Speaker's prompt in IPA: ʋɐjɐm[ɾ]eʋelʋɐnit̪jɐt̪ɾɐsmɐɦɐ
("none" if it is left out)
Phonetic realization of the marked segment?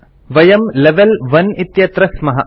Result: l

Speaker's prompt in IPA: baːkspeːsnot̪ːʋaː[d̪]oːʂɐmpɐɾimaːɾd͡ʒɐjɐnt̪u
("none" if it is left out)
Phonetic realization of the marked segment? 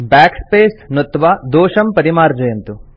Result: d̪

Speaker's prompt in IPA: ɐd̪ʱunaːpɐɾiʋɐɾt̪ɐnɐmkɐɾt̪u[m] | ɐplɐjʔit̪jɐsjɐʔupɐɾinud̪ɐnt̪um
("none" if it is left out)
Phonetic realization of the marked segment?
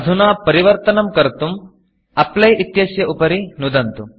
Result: m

